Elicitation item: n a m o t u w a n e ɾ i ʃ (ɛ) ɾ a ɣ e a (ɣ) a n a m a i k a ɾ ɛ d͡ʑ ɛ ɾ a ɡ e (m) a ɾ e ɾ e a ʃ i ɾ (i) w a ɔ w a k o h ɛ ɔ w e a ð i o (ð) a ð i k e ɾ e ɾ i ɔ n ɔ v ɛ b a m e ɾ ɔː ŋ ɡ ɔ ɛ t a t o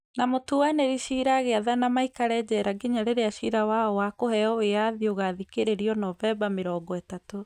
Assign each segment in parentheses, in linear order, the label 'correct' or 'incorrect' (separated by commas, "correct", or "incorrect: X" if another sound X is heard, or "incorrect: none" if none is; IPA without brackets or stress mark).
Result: incorrect: i, incorrect: ð, incorrect: ɲ, incorrect: a, incorrect: ɣ